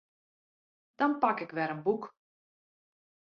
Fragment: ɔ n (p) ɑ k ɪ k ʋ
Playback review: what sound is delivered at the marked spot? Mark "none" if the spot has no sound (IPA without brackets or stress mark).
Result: p